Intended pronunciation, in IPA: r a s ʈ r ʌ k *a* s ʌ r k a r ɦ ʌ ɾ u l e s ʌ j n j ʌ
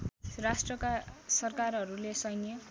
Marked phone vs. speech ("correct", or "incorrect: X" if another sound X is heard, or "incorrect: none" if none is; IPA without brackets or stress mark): correct